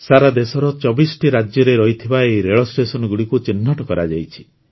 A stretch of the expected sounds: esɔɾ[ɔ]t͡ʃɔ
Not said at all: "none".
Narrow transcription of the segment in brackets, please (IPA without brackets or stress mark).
ɔ